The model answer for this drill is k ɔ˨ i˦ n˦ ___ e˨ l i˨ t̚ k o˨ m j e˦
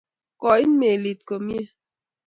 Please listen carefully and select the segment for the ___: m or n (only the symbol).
m